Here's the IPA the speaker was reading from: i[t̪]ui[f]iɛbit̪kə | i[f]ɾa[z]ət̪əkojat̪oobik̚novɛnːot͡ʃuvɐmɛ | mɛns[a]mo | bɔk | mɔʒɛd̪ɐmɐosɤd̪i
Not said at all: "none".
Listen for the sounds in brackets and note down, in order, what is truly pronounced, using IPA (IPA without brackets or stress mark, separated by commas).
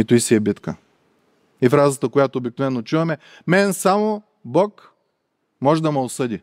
t̪, s, f, z, a